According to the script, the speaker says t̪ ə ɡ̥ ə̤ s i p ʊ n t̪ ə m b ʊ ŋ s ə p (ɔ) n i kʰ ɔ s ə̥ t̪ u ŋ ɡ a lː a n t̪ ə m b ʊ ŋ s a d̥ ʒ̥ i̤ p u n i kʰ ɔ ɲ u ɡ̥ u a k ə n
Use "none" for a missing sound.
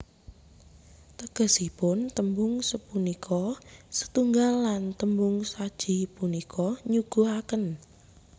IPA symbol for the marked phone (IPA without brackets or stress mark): u